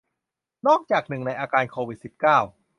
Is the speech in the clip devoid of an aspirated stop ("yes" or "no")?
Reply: no